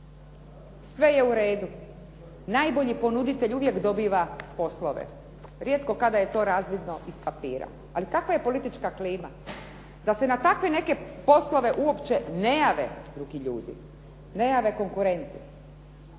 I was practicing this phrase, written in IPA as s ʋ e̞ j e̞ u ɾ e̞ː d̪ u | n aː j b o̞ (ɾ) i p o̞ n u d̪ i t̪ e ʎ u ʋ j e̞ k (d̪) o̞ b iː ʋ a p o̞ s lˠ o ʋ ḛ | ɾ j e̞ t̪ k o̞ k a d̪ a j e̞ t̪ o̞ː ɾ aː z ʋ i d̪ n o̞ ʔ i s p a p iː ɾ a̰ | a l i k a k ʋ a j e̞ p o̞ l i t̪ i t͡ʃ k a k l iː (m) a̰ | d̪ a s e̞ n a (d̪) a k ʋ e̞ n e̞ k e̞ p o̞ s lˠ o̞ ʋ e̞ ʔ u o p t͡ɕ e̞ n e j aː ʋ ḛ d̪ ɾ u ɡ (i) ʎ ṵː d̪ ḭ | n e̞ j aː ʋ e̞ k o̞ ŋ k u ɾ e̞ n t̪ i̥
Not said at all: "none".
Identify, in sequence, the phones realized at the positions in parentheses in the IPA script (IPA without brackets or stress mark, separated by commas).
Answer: ʎ, d̪, m, t̪, i